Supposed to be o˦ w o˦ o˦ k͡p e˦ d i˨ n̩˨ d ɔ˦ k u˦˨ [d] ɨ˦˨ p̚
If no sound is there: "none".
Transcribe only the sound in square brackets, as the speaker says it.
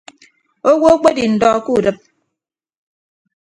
d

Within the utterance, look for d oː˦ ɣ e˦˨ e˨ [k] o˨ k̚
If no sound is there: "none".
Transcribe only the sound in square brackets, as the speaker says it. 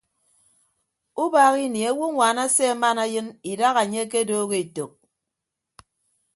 t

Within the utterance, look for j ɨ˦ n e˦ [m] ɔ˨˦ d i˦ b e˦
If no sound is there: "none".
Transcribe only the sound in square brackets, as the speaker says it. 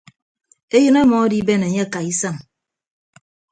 m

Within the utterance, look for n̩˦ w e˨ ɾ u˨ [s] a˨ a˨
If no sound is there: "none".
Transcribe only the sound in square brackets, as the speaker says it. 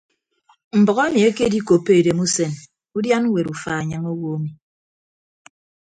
f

